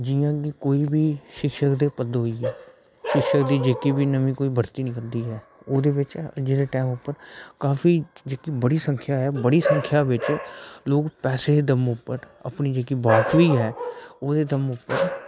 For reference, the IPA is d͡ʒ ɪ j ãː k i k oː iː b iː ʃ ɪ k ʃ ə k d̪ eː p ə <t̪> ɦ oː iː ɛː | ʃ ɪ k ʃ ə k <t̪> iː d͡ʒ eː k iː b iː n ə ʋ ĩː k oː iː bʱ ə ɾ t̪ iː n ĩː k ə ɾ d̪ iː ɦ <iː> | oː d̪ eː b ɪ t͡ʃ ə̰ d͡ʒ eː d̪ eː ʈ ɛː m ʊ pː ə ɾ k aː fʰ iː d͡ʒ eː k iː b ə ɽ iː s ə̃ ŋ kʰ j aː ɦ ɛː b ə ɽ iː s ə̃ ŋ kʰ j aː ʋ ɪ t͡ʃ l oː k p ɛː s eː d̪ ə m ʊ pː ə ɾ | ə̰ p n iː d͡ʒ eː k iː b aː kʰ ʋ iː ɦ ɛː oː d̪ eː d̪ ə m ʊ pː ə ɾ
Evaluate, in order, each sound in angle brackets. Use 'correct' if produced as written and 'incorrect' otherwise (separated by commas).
incorrect, incorrect, incorrect